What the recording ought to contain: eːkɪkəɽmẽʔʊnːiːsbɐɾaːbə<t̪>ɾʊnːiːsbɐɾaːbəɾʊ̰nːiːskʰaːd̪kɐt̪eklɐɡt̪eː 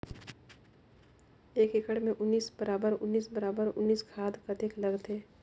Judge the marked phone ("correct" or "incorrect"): incorrect